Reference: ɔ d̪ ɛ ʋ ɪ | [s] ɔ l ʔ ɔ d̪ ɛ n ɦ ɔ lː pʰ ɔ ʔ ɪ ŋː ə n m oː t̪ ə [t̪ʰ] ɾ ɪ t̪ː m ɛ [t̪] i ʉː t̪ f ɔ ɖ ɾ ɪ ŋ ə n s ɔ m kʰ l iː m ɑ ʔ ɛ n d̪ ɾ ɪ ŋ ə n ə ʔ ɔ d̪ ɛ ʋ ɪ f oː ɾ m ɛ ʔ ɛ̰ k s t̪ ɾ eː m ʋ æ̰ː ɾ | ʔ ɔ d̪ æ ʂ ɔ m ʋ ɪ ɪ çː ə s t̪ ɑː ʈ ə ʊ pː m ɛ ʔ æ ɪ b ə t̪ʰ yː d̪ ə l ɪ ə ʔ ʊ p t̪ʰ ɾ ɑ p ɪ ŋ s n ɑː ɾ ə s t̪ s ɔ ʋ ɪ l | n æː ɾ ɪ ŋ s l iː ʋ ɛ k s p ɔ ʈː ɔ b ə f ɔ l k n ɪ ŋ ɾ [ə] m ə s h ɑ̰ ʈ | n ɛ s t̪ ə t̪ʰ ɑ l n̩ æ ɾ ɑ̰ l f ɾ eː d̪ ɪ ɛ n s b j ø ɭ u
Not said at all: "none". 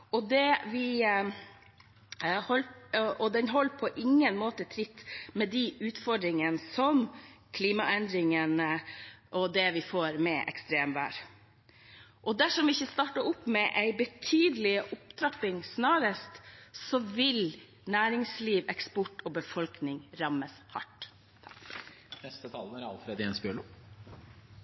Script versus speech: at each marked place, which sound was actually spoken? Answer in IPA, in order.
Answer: h, t̪ʰ, d̪, ɑ

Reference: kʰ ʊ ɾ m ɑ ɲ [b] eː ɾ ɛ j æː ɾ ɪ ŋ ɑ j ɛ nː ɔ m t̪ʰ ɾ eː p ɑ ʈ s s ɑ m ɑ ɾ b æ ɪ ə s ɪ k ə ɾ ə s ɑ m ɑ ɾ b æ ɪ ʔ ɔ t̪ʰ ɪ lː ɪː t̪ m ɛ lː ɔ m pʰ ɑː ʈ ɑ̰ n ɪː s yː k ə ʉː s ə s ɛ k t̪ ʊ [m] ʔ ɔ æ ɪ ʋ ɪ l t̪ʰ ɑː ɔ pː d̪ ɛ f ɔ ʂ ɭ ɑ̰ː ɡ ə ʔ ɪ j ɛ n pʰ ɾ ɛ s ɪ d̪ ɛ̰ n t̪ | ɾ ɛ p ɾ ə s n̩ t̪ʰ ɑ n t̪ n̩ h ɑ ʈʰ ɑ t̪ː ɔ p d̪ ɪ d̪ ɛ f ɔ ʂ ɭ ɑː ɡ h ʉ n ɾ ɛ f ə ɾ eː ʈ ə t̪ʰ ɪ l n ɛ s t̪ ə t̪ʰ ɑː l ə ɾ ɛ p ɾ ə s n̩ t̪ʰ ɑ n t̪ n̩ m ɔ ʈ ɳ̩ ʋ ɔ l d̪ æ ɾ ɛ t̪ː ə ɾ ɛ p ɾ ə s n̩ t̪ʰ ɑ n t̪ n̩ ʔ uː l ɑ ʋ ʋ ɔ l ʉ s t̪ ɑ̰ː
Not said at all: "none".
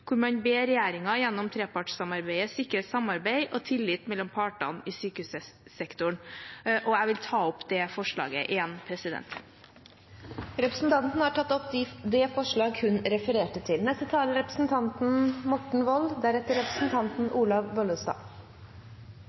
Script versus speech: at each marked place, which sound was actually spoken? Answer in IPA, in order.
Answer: b, ɳ

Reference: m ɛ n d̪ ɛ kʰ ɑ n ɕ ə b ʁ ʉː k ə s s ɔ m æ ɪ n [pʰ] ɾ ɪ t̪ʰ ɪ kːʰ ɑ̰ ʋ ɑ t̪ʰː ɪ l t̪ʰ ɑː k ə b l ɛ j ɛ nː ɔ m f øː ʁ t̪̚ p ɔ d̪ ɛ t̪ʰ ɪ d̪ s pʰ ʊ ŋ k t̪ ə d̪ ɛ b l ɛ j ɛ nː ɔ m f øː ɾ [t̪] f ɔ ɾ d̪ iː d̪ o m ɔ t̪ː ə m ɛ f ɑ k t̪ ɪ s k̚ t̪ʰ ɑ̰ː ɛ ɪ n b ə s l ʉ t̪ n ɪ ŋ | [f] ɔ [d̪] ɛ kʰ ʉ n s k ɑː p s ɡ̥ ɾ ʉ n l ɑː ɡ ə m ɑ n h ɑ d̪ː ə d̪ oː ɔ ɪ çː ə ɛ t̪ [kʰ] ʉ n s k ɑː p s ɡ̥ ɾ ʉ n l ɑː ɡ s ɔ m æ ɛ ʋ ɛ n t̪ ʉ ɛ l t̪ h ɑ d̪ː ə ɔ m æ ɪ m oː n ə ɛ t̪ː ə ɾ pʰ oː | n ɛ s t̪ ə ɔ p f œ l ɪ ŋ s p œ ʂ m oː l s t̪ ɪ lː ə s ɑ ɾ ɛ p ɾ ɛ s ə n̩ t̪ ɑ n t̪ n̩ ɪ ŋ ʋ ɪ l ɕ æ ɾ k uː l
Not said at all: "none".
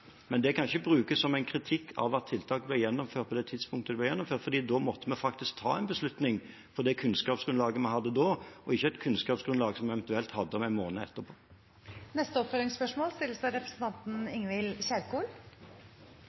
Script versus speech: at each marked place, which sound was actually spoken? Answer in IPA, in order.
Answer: kʰ, t̪, f, d̪, kʰ

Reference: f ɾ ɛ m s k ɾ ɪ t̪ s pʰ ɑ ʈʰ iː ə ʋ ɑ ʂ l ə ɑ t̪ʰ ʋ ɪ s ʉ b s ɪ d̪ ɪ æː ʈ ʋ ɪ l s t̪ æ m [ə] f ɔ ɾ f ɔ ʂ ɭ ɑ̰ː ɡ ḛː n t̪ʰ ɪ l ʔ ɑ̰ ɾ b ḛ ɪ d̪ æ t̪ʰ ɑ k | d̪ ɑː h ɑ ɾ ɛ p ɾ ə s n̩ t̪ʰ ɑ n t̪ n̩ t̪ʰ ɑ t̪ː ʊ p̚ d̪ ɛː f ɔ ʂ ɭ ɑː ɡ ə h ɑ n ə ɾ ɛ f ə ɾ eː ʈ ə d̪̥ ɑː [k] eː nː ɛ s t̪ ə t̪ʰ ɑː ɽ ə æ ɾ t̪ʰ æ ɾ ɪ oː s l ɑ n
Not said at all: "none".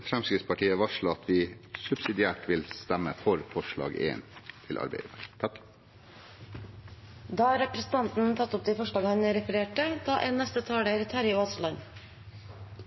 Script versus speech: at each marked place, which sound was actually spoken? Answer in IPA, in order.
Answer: ə, ʔ

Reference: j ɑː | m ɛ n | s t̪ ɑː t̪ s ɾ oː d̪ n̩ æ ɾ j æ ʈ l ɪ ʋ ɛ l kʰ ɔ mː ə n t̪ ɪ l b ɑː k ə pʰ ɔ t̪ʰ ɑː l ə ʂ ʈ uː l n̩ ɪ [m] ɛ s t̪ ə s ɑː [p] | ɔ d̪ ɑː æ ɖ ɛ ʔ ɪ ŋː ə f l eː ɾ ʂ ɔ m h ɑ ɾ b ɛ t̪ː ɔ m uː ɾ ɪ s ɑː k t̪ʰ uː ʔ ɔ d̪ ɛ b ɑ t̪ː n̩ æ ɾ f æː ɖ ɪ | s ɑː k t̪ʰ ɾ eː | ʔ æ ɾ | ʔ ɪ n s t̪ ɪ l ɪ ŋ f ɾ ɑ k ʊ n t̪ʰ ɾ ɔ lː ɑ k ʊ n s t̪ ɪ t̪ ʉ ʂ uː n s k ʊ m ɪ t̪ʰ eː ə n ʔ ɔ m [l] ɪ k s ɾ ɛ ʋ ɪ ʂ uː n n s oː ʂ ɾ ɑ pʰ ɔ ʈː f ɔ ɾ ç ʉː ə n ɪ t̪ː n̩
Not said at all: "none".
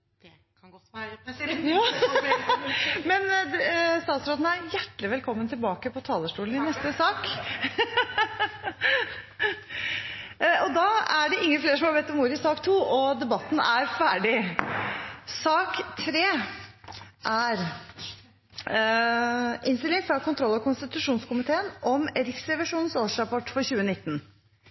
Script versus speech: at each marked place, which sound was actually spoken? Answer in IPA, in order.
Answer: n, k, ɾ

